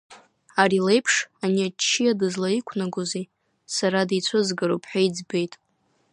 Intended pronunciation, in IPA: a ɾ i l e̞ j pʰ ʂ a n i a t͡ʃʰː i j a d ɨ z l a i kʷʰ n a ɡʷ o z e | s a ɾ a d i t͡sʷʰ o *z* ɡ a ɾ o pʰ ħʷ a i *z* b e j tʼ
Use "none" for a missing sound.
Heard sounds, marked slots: z, d͡z

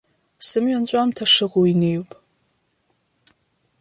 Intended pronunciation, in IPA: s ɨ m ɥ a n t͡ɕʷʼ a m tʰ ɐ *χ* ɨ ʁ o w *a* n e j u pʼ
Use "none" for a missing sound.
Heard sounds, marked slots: ʂ, i

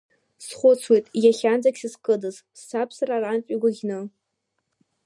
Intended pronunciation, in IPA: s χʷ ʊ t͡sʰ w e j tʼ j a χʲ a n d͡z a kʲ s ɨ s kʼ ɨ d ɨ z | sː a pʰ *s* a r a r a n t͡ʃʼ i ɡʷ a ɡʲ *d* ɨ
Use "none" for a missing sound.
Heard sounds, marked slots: s, n

